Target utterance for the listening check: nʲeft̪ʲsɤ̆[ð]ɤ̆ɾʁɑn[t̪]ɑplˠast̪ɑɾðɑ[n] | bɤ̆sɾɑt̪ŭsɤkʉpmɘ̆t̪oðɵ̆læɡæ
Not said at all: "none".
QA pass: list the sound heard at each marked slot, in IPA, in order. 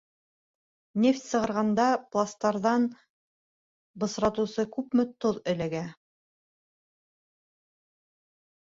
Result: ʁ, d̪, n

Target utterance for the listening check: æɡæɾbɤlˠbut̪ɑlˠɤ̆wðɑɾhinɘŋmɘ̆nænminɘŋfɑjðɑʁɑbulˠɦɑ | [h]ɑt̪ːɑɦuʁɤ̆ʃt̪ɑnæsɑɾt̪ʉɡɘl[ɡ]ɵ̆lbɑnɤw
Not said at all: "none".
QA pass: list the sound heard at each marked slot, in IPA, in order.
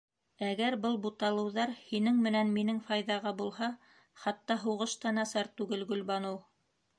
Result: χ, ɡ

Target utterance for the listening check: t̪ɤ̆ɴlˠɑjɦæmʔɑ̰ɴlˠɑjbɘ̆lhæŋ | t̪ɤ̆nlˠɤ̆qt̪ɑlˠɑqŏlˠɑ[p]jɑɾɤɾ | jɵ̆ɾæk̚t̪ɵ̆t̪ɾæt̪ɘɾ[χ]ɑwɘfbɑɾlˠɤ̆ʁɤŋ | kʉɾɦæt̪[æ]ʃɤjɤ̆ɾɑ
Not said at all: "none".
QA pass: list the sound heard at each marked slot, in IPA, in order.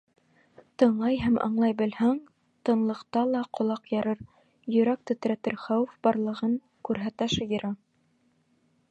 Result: q, χ, æ

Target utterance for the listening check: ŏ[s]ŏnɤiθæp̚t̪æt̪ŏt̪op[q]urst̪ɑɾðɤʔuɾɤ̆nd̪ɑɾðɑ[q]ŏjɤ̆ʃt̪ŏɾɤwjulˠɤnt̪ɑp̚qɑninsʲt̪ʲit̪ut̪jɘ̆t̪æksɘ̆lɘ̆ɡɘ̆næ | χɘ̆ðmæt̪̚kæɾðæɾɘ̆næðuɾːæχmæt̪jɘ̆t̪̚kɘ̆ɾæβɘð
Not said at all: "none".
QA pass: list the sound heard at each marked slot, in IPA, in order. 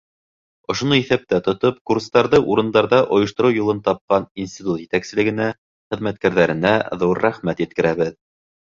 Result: ʃ, k, ʔ

